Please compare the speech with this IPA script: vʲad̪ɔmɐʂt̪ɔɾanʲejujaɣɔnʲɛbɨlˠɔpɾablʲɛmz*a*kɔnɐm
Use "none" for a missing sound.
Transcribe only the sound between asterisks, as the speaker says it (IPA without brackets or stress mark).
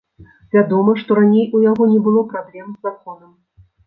a